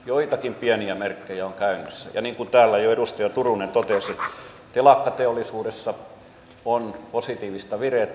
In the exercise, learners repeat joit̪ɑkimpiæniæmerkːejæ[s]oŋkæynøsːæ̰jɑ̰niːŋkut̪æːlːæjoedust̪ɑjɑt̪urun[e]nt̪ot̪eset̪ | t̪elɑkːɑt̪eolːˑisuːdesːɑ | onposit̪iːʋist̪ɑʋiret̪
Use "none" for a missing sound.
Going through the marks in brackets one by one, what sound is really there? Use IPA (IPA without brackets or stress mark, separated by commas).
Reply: none, e